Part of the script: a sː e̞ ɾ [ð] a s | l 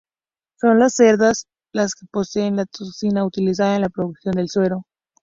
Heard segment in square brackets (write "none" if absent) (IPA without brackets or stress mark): ð